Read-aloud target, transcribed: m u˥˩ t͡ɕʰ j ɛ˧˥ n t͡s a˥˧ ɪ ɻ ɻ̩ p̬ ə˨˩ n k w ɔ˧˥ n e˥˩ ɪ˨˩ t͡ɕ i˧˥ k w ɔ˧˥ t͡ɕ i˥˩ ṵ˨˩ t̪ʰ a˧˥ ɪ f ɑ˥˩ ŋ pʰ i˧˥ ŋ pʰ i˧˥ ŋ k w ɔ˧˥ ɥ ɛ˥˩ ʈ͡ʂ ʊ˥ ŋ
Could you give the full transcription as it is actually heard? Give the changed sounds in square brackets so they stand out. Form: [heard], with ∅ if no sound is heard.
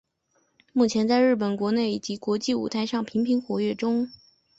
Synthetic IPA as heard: m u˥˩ t͡ɕʰ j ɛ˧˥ n t͡s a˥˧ ɪ ɻ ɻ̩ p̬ ə˨˩ n k w ɔ˧˥ n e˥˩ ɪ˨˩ t͡ɕ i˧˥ k w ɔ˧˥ t͡ɕ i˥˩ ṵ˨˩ t̪ʰ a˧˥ ɪ [ʂ] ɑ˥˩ ŋ pʰ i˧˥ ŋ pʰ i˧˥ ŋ [x] w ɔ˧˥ ɥ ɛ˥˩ ʈ͡ʂ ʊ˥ ŋ

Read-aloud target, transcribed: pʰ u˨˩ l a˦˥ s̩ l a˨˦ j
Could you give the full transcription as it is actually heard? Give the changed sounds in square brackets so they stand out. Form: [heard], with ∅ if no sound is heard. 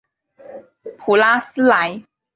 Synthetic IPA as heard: pʰ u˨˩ l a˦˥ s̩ l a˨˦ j

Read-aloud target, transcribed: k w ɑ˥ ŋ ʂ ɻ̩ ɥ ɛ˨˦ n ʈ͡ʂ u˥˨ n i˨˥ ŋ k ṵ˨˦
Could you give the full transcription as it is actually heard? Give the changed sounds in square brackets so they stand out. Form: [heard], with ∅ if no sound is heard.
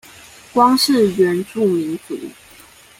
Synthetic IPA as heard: k w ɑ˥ ŋ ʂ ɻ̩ ɥ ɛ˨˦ n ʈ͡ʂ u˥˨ [m] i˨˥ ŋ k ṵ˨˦

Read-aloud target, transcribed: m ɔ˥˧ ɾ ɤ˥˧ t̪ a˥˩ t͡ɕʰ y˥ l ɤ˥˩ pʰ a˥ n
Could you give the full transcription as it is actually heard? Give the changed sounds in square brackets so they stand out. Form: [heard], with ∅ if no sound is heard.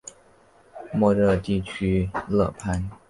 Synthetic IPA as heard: m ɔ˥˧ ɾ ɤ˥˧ t̪ [i˥˩] t͡ɕʰ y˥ l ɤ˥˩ pʰ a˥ n

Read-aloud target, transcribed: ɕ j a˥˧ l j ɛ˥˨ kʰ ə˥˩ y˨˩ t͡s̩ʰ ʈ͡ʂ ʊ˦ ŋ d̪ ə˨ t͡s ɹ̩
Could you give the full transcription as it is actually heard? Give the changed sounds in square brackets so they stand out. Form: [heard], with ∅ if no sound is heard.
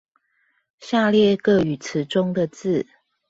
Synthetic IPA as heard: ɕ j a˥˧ l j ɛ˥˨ [k] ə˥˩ y˨˩ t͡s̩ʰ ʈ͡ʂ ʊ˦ ŋ d̪ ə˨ t͡s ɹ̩

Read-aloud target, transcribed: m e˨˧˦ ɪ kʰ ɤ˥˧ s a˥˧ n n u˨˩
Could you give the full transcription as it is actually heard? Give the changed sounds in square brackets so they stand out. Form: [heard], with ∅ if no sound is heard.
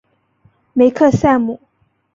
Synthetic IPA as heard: m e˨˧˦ ɪ kʰ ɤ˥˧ s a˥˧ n [m] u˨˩

